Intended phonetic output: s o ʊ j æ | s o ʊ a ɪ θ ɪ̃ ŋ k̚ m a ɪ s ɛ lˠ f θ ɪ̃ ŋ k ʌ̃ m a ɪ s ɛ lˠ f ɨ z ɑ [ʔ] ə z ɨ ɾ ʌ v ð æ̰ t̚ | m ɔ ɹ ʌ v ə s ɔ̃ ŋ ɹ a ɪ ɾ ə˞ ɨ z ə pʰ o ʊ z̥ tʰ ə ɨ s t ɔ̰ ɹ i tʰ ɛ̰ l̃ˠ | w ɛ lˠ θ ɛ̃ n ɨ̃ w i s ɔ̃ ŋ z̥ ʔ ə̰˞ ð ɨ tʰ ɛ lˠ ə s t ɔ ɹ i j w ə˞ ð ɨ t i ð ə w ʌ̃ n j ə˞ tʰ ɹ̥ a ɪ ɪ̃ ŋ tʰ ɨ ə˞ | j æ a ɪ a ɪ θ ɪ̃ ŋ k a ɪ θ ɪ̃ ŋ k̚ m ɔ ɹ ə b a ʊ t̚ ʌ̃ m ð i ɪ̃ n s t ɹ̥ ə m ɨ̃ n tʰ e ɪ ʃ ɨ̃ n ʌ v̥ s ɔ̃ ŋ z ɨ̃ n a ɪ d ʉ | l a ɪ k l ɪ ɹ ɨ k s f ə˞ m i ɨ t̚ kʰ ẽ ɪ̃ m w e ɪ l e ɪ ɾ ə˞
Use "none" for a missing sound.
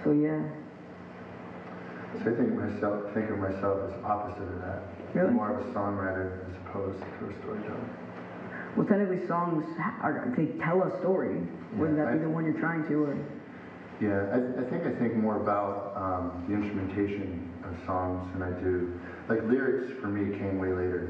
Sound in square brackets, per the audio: p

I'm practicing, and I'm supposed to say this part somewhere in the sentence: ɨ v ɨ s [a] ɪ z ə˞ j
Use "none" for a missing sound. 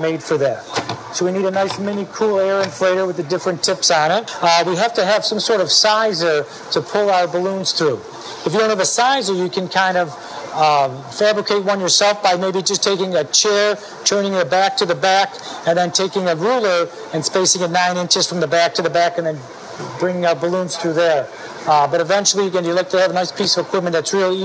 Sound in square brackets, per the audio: a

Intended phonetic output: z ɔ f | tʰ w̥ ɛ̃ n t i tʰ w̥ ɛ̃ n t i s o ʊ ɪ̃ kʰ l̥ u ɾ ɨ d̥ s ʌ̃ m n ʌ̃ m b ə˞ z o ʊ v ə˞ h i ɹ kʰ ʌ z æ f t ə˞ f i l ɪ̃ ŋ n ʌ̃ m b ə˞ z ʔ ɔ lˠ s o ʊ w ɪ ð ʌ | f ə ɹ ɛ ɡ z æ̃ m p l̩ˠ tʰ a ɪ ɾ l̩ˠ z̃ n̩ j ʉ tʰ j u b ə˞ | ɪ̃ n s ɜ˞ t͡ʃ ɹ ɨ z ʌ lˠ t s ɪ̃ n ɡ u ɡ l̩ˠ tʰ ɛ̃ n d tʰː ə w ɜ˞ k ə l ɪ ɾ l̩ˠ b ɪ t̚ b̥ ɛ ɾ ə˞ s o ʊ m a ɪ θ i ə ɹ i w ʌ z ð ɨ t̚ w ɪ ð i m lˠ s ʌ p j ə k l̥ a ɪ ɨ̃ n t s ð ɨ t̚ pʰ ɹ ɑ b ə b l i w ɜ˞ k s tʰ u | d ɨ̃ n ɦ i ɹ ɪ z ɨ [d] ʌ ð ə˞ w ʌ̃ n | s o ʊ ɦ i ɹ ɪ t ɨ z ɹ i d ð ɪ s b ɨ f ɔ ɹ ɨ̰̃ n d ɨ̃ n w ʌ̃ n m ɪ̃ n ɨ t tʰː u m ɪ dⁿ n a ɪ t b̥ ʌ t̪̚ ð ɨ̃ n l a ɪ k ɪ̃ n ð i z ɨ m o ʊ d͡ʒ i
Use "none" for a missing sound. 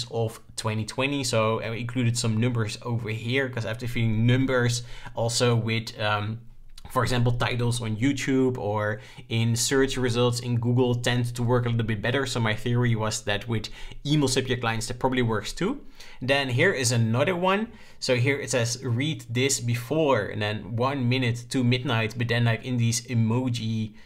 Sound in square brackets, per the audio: n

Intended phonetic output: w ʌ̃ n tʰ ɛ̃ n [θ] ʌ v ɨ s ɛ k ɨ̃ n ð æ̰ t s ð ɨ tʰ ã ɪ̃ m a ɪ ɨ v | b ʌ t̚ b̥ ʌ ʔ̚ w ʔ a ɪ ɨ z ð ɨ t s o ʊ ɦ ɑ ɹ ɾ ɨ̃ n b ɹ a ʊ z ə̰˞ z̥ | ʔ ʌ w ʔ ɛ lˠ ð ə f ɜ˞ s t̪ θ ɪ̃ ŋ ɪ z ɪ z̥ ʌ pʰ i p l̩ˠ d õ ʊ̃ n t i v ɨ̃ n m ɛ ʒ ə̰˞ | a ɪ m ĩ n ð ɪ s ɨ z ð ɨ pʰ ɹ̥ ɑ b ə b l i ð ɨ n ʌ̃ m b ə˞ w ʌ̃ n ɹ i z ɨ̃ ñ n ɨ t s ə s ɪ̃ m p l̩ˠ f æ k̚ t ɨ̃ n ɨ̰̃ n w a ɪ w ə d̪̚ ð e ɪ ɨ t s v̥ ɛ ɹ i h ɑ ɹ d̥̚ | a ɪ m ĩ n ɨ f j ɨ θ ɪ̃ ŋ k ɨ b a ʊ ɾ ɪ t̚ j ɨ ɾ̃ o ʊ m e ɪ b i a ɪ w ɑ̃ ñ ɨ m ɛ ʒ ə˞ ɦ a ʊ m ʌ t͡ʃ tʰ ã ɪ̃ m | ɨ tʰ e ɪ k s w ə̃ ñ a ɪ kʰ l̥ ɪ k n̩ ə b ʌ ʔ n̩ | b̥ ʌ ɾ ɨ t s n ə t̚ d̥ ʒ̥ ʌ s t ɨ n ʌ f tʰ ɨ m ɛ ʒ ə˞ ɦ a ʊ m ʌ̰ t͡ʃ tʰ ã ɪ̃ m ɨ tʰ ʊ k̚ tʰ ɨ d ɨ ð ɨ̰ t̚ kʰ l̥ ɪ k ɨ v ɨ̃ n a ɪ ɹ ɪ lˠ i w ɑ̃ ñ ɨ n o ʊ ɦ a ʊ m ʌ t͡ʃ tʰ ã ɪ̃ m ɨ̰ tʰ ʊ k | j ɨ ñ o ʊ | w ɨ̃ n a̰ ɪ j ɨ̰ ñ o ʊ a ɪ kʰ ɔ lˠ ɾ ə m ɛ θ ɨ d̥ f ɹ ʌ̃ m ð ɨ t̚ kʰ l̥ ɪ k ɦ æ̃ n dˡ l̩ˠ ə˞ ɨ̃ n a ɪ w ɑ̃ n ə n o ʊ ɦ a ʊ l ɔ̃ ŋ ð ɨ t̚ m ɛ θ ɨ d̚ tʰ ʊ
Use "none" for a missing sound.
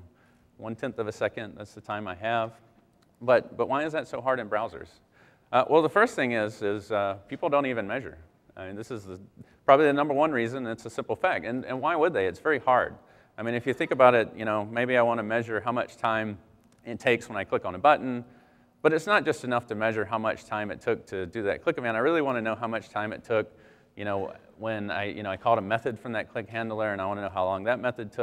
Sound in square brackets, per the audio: θ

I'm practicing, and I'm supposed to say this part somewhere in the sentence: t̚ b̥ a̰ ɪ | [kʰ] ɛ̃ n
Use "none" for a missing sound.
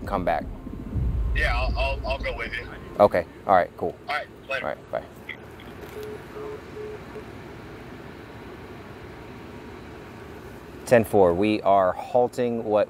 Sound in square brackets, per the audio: tʰ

